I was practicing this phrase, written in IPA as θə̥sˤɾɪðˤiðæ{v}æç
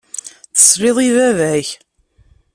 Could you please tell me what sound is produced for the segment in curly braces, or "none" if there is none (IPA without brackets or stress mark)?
v